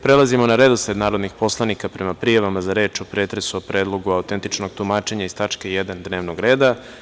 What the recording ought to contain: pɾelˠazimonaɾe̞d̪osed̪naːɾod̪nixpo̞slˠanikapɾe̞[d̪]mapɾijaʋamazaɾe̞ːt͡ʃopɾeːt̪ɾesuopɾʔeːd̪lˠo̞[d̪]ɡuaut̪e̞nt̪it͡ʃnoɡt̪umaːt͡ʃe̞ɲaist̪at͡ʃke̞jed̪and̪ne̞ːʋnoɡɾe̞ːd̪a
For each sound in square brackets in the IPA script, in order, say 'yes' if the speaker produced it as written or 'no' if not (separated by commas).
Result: no, no